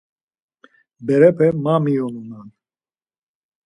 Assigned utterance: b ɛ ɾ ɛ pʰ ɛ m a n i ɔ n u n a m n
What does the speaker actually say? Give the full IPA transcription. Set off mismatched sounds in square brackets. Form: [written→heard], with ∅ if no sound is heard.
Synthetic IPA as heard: b ɛ ɾ ɛ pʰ ɛ m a [n→m] i ɔ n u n a [m→∅] n